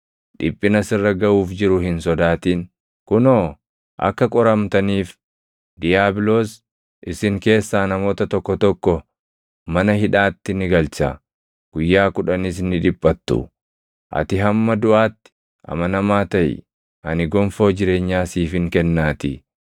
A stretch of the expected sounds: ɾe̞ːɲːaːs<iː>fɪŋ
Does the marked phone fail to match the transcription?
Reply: no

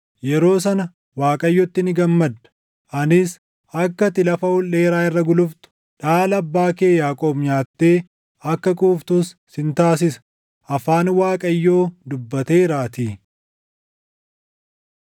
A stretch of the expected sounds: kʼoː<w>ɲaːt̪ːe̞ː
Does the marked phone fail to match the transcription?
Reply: yes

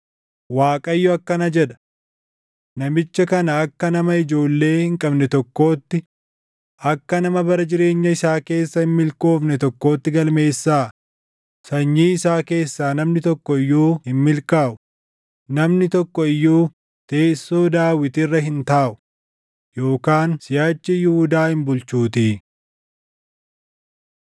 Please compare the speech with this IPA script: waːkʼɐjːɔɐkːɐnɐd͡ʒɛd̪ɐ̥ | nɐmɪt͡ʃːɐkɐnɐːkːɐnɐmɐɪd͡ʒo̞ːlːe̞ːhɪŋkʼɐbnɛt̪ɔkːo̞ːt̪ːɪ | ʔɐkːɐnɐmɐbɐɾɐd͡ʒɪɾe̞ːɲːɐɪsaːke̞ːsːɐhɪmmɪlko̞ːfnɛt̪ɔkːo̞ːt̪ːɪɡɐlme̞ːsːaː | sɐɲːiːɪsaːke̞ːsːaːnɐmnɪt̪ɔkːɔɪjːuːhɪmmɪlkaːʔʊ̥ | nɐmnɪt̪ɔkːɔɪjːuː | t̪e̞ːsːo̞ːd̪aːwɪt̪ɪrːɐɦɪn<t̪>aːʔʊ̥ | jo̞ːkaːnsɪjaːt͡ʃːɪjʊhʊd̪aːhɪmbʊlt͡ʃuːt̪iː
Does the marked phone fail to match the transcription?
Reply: no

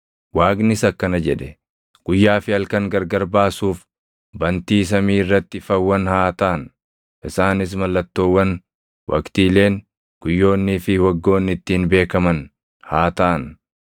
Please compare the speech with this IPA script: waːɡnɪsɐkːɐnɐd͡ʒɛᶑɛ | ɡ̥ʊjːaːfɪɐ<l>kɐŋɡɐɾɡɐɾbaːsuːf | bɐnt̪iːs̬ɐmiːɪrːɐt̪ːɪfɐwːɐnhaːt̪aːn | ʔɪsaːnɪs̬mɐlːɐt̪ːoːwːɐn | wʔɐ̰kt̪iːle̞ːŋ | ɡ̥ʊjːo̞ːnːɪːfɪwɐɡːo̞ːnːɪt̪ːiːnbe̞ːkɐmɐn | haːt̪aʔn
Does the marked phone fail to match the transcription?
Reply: no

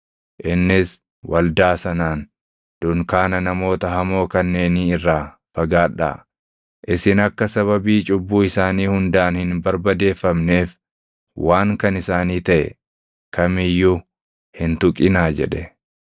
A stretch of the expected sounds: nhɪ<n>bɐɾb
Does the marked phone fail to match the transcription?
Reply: no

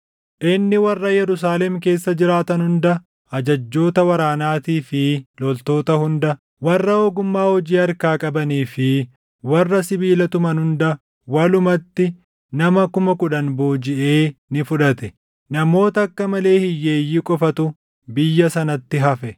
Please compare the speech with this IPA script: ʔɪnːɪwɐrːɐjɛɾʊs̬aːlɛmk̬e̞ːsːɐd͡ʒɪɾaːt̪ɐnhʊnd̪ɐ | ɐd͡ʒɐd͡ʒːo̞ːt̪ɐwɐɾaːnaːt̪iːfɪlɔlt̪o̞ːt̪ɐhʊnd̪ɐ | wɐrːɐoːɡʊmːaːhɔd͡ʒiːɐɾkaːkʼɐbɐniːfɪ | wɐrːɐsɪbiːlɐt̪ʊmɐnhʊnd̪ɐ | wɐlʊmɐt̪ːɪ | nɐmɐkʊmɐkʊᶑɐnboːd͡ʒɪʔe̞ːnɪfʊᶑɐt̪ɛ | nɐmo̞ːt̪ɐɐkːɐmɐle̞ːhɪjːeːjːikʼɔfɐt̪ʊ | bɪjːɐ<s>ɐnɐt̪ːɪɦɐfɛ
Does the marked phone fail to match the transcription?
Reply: no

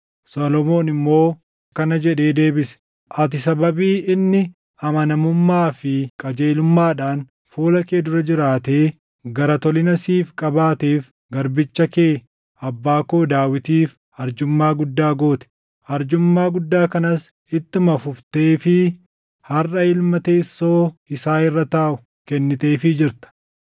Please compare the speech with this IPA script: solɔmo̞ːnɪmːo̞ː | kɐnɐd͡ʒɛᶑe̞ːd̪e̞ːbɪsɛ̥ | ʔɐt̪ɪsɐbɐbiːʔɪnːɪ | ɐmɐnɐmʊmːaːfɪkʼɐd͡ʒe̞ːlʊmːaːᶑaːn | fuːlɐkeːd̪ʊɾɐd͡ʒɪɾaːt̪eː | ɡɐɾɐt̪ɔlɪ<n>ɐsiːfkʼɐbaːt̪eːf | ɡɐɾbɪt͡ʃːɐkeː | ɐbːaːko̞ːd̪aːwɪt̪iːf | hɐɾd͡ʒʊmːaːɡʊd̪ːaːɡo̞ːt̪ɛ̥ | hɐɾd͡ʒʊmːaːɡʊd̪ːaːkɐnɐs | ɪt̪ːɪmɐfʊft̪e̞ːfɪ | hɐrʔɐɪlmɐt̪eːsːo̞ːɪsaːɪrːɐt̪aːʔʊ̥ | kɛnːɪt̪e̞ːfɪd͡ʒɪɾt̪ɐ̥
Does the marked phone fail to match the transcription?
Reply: no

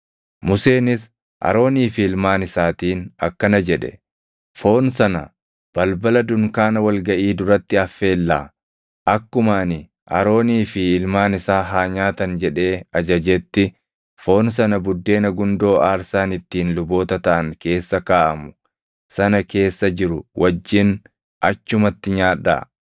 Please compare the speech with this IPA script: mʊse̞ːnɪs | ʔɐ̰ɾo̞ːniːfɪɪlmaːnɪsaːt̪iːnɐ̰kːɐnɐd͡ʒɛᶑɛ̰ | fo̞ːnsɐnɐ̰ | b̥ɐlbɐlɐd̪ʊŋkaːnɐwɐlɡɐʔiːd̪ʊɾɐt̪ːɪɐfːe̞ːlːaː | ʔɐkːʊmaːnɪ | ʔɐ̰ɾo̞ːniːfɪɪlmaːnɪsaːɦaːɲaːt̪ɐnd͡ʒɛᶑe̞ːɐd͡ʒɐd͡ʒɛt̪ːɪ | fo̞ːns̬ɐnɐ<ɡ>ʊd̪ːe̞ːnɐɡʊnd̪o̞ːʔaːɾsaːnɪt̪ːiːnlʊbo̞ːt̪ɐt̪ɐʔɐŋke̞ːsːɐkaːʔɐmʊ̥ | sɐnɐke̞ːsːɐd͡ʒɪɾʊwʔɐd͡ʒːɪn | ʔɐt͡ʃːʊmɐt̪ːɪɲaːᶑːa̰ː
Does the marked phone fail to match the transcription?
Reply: yes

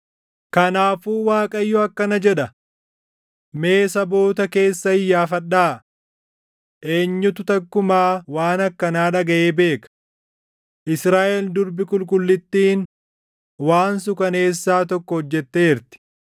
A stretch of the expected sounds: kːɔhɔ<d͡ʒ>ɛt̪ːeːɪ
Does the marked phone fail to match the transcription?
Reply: yes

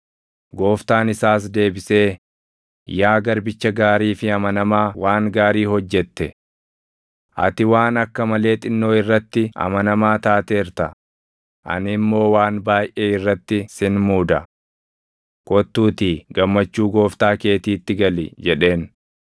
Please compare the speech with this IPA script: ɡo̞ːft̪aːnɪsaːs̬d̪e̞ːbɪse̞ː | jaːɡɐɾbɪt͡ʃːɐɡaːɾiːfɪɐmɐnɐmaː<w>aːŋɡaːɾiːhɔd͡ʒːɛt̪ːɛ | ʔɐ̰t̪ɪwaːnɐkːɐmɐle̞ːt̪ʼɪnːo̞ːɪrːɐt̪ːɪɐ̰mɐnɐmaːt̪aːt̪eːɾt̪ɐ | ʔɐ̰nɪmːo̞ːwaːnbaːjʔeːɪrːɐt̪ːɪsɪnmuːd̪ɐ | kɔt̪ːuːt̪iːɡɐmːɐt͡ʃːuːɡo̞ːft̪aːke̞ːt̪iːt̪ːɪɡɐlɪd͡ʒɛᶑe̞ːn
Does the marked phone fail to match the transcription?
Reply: no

